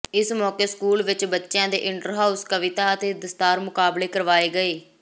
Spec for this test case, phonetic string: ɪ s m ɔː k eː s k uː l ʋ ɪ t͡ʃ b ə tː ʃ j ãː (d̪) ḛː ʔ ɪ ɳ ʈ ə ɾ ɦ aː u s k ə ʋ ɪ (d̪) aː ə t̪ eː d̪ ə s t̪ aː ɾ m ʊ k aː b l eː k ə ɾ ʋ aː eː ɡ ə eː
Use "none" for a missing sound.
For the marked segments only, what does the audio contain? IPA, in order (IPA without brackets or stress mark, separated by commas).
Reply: d̪, t̪